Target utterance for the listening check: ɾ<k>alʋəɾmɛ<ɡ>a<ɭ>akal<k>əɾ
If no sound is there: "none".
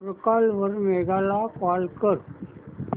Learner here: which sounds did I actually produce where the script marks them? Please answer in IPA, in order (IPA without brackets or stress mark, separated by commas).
k, ɡ, l, k